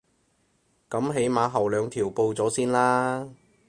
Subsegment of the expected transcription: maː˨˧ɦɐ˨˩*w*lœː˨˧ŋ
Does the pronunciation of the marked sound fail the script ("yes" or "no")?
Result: no